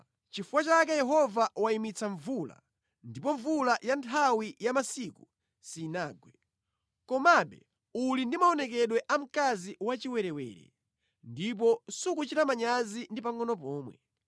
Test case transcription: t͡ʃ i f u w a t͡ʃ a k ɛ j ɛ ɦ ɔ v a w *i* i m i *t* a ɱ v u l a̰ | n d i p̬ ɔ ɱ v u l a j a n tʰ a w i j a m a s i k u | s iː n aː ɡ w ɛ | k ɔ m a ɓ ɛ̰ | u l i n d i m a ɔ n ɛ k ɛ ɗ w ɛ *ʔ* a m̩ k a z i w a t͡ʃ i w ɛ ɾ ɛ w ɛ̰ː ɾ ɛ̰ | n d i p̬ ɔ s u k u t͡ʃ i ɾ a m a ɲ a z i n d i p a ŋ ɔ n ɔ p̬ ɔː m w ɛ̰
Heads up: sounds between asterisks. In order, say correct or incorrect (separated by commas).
incorrect, incorrect, correct